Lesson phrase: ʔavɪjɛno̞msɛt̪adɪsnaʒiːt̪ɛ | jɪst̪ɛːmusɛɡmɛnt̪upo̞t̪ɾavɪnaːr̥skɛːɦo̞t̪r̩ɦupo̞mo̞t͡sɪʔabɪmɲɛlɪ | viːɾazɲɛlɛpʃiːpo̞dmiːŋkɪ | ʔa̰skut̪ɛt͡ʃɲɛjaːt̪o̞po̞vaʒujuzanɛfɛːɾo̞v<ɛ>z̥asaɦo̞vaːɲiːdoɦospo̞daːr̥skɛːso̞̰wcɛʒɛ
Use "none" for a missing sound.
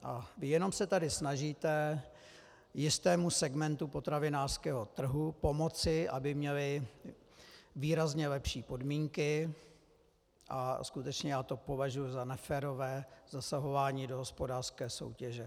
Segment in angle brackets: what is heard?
ɛː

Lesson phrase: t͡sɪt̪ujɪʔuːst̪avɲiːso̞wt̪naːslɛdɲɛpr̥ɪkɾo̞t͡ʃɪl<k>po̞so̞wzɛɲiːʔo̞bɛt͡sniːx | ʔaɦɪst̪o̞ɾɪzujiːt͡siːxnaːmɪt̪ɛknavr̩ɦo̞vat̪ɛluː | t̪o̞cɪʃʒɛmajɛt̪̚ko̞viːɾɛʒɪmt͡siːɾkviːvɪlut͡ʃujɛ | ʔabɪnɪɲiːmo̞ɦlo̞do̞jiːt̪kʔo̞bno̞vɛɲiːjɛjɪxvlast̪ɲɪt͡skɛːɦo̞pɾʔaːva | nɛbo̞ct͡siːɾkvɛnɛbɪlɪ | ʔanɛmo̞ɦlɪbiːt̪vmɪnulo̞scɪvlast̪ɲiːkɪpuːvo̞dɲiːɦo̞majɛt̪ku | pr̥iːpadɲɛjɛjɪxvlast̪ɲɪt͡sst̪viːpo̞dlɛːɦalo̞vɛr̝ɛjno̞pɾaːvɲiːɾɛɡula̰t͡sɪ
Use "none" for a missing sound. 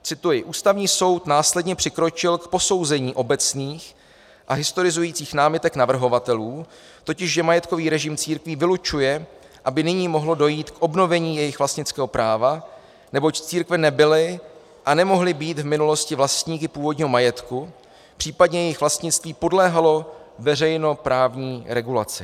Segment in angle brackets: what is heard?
k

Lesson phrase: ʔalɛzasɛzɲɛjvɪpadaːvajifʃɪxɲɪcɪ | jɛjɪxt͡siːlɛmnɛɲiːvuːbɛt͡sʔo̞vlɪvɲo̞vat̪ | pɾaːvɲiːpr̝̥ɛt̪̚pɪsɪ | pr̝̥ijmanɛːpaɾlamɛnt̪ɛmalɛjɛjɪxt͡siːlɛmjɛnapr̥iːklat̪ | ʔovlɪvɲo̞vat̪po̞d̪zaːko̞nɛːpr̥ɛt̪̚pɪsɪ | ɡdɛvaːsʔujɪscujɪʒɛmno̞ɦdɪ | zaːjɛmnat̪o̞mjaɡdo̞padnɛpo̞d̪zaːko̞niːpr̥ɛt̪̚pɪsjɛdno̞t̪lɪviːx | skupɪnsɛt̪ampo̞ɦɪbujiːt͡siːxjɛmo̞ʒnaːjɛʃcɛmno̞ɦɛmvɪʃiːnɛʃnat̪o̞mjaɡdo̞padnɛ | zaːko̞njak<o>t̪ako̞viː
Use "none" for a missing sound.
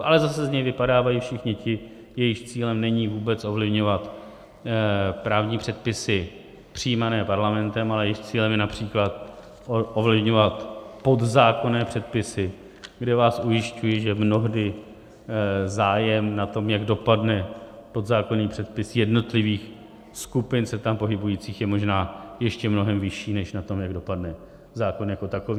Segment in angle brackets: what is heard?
o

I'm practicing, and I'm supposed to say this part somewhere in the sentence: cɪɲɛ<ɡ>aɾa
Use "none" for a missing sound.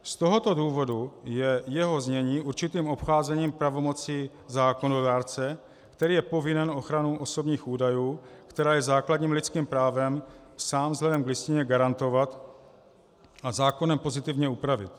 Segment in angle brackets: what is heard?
ɡ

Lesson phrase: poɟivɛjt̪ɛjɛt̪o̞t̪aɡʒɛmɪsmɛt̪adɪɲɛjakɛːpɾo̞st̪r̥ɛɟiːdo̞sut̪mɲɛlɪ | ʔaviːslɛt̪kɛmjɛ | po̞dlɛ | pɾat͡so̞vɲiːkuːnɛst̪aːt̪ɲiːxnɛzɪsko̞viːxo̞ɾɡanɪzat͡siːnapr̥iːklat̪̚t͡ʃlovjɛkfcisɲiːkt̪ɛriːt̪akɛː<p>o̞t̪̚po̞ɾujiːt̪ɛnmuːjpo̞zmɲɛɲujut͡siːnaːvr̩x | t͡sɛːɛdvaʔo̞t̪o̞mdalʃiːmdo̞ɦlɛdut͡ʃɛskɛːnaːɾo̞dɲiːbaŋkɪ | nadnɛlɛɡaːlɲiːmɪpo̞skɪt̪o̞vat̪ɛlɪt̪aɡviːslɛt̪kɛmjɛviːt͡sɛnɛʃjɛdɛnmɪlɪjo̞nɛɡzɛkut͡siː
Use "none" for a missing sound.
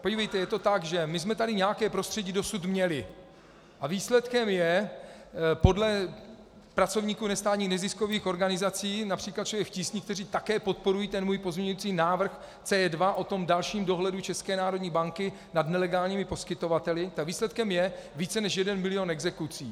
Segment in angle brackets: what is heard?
p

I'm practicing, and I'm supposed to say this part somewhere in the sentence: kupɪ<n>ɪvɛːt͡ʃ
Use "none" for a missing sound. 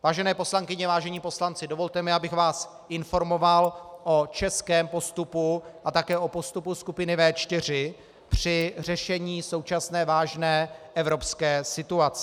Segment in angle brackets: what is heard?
n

